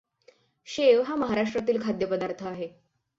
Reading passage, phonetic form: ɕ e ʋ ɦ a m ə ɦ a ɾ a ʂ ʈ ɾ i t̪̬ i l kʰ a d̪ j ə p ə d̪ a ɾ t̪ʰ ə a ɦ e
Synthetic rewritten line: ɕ e ʋ ɦ a m ə ɦ a ɾ a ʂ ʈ ɾ a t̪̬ iː l kʰ a d̪ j ə p ə d̪ a ɾ t̪ʰ ə a ɦ e

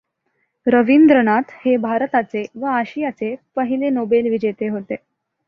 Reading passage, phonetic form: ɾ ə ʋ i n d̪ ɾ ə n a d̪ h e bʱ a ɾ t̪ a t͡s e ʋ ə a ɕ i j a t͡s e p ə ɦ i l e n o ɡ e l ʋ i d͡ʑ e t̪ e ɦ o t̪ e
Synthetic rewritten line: ɾ ə ʋ i n d̪ ɾ ə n a t̪ h e bʱ a ɾ t̪ a t͡s e ʋ ə a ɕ i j a t͡s e p ə ɦ i l e n o b e l ʋ i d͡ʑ e t̪ e ɦ o t̪ e

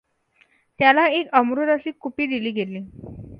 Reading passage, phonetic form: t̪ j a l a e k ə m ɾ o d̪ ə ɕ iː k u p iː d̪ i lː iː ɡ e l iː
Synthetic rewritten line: t̪ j a l a e k ə m ɾ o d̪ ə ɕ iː k u p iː d̪ i l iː ɡ e l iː

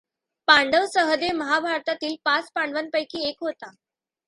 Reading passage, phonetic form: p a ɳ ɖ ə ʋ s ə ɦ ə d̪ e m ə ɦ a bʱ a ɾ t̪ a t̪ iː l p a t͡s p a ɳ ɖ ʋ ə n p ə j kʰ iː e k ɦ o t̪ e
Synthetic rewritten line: p a ɳ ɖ ə ʋ s ə ɦ ə d̪ e m ə ɦ a bʱ a ɾ t̪ a t̪ iː l p a t͡s p a ɳ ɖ ʋ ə n p ə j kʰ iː e k ɦ o t̪ a

